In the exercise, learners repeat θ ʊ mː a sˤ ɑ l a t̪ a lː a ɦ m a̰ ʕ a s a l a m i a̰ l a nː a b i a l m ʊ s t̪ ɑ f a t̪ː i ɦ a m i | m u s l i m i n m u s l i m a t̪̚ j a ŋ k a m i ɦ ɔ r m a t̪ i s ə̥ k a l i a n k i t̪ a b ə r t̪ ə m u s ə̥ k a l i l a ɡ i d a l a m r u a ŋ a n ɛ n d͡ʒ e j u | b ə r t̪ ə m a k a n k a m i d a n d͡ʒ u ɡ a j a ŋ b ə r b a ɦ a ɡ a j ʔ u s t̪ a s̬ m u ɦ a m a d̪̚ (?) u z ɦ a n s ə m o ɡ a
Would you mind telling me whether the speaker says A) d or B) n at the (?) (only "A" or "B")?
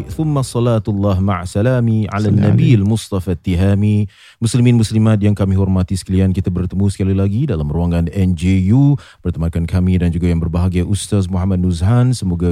B